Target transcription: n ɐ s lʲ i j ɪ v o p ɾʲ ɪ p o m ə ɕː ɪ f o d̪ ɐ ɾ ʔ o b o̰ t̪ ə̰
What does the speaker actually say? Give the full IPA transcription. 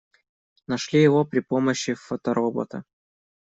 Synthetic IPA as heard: n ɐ ʂ lʲ i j ɪ v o p ɾʲ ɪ p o m ə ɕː ɪ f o t̪ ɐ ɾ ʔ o b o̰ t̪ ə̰